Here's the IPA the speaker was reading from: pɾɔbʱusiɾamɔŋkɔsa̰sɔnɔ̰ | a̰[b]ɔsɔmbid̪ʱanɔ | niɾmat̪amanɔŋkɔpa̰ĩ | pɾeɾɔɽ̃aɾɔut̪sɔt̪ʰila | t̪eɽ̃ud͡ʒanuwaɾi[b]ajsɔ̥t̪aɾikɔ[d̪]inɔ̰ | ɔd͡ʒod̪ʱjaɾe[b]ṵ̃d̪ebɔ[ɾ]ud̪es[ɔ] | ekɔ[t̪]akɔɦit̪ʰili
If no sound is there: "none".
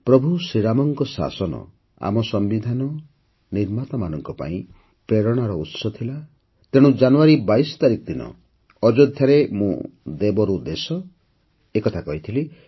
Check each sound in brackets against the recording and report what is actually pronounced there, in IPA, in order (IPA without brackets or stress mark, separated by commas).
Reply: m, b, d̪, m, ɾ, ɔ, t̪ʰ